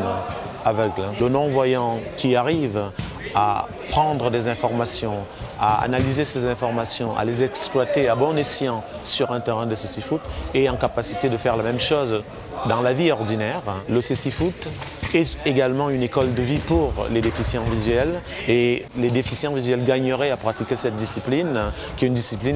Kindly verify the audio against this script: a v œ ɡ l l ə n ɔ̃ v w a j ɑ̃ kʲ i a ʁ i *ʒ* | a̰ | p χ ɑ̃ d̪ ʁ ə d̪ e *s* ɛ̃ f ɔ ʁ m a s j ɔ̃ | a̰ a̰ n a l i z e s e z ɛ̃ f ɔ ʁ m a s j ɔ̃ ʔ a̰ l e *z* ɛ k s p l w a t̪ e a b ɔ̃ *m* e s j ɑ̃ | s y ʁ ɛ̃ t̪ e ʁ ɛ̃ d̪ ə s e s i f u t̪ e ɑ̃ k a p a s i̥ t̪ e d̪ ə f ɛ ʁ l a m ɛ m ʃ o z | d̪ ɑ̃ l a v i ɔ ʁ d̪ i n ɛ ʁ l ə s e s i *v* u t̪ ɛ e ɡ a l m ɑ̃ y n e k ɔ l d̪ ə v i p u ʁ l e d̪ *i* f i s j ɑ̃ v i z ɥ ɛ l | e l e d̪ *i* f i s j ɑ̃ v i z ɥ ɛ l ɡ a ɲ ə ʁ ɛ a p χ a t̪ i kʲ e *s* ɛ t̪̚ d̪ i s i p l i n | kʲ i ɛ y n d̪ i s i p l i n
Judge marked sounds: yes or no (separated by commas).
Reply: no, no, yes, no, no, no, no, yes